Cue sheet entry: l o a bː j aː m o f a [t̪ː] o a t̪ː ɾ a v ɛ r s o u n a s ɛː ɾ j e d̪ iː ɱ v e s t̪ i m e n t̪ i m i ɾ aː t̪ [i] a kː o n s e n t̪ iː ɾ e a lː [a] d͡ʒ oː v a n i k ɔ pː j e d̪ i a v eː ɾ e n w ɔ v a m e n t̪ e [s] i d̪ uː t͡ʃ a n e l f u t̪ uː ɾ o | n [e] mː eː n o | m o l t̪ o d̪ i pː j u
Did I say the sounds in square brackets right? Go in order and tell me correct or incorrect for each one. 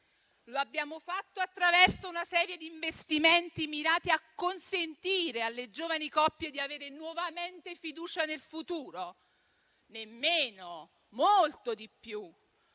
correct, correct, incorrect: e, incorrect: f, correct

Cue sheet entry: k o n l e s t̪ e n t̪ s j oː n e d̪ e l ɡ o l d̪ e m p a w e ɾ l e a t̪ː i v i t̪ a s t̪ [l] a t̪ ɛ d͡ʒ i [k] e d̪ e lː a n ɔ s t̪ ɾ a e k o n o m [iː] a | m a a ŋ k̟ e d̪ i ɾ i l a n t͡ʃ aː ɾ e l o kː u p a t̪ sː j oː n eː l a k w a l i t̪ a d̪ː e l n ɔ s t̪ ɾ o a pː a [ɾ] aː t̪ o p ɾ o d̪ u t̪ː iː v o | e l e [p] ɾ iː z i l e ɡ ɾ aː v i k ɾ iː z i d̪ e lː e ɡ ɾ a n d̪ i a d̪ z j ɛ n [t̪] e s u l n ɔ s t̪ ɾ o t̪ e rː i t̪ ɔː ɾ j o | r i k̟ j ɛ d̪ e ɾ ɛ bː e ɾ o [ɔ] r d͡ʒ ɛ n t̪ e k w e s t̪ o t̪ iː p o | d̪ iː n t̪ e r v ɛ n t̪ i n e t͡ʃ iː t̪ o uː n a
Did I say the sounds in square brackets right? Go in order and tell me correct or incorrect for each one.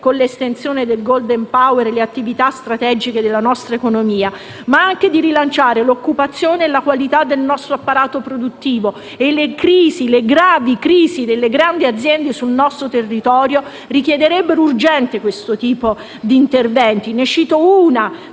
incorrect: ɾ, correct, correct, correct, incorrect: k, incorrect: d̪, incorrect: u

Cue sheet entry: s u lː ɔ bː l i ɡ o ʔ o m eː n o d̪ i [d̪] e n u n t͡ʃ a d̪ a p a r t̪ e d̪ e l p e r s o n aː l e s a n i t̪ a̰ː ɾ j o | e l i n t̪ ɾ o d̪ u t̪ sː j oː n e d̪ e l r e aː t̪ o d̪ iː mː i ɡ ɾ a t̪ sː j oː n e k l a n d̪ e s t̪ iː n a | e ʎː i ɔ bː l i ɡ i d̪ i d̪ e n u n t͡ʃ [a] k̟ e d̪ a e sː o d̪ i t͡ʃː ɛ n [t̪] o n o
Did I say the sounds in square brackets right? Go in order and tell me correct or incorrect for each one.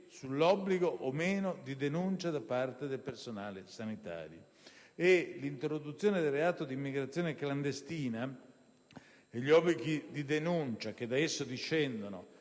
correct, correct, incorrect: d̪

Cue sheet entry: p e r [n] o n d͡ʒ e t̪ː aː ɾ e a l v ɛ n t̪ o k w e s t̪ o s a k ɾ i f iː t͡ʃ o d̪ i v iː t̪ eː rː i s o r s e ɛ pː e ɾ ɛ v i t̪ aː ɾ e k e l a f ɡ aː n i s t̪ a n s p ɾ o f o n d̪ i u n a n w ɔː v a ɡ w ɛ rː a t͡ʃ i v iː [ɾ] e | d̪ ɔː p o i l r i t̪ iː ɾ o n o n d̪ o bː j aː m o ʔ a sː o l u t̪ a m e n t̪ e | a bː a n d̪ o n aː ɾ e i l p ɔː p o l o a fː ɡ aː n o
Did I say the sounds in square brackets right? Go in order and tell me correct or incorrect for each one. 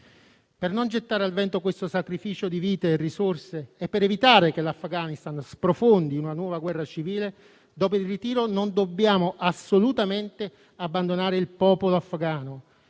correct, incorrect: l

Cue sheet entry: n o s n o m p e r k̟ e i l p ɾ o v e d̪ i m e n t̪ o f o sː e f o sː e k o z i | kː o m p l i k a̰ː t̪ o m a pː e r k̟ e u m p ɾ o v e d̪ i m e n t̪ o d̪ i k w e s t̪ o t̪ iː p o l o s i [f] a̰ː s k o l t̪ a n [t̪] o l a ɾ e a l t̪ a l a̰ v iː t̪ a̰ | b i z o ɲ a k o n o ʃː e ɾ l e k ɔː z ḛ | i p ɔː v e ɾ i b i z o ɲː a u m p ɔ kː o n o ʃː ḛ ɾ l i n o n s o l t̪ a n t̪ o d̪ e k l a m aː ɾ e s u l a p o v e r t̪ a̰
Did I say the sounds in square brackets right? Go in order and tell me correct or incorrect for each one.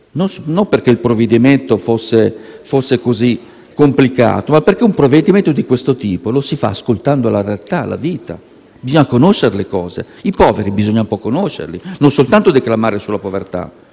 correct, incorrect: d̪

